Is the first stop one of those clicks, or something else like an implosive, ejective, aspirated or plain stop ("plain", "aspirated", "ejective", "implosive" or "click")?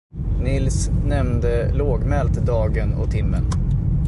plain